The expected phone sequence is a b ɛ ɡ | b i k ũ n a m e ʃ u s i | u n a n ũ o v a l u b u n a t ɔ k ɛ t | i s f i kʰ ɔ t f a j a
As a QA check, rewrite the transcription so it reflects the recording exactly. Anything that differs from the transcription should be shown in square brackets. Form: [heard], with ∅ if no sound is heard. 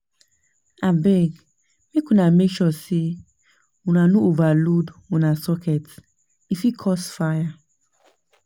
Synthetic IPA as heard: a b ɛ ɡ | [m] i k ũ n a m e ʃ [ɔ] s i | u n a n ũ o v a l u [d] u n a [s] ɔ k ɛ t | i [∅] f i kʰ ɔ [s] f a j a

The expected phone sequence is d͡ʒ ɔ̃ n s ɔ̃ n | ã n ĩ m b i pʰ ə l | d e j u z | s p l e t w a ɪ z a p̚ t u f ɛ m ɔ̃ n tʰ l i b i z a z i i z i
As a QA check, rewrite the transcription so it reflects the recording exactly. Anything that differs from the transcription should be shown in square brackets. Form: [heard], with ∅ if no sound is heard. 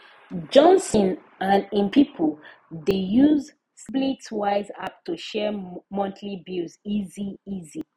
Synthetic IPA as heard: d͡ʒ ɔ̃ n s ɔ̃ n | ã n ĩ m [p] i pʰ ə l | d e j u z | s p l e t w a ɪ z a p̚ t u [ʃ] ɛ m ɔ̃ n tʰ l i b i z [i] z i i z i

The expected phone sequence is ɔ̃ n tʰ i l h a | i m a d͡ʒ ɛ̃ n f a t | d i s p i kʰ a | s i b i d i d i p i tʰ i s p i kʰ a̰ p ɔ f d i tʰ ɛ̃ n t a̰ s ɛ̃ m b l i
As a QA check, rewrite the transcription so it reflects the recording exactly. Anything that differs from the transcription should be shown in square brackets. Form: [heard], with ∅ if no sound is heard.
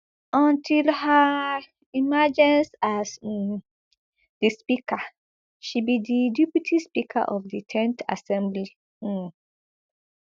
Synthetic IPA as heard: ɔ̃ n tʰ i l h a | i m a d͡ʒ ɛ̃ n [s] a [s] | d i s p i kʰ a | [ʃ] i b i d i d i p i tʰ i s p i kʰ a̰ [ʔ] ɔ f d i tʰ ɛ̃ n t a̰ s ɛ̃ m b l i

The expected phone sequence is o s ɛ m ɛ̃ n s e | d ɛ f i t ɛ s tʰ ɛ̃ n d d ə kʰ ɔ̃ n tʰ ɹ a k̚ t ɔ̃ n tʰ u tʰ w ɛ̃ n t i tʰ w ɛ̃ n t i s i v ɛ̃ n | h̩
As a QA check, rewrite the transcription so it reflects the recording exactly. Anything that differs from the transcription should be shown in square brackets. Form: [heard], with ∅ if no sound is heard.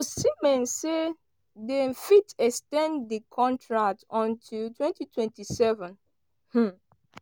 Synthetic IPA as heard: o s [i] m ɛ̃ n s e | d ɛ f i t ɛ s [t] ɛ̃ n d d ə kʰ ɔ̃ n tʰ ɹ a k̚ t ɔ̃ n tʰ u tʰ w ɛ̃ n t i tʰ w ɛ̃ n t i s [ɛ] v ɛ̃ n | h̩

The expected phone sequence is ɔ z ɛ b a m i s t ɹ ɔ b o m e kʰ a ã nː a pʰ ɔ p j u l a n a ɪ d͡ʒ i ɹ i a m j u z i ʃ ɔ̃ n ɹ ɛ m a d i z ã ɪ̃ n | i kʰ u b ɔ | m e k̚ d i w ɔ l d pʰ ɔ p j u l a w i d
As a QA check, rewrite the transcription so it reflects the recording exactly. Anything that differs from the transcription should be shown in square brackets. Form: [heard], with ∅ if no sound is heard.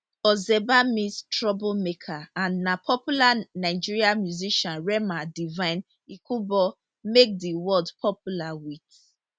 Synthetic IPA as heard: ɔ z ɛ b a m i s t ɹ ɔ b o m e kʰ a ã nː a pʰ ɔ p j u l a n a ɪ d͡ʒ i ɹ i a m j u z i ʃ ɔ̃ n ɹ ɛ m a d i [v] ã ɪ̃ n | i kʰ u b ɔ | m e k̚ d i w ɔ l d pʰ ɔ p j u l a w i [t]

